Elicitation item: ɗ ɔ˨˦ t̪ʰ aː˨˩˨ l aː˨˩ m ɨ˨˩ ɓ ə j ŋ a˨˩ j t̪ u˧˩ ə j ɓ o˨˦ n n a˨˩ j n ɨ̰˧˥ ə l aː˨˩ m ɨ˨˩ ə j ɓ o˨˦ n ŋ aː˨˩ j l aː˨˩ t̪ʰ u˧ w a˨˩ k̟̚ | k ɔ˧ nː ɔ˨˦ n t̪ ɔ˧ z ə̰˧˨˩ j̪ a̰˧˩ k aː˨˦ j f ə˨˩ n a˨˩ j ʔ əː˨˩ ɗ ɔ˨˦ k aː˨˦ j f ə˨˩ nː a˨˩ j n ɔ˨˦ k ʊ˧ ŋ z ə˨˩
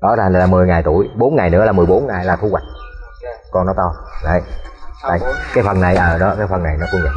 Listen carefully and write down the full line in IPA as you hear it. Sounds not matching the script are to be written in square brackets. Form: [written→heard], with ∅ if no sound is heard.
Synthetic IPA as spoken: ɗ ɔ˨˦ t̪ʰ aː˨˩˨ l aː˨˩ m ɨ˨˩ [ɓ→∅] ə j ŋ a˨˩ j t̪ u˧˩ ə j ɓ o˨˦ n [n→ŋ] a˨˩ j n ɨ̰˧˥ ə l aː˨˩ m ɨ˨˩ ə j ɓ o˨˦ n ŋ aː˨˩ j l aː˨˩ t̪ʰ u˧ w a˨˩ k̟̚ | k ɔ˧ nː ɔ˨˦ [n→∅] t̪ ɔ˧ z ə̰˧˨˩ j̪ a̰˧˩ k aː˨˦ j f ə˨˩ n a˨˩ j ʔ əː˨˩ ɗ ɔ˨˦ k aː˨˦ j f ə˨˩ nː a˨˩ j n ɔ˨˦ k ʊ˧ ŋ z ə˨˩